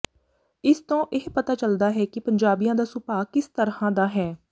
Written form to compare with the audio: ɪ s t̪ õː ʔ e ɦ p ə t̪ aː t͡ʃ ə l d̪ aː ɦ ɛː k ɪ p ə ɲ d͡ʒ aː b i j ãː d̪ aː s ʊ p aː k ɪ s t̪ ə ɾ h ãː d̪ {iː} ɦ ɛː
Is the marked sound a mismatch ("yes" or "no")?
yes